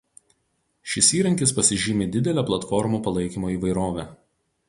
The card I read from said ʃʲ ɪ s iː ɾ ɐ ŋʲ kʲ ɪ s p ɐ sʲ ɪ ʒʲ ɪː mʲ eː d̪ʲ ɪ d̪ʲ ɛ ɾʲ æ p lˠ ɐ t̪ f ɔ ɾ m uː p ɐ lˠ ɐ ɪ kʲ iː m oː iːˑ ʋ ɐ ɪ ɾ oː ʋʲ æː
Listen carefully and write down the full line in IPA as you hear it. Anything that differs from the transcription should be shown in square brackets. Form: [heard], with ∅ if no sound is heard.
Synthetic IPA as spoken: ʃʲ ɪ s iː ɾ ɐ ŋʲ kʲ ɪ s p ɐ sʲ ɪ ʒʲ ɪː mʲ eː d̪ʲ ɪ d̪ʲ ɛ [lʲ] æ p lˠ ɐ t̪ f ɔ ɾ m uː p ɐ lˠ ɐ ɪ kʲ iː m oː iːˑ ʋ ɐ ɪ ɾ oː ʋʲ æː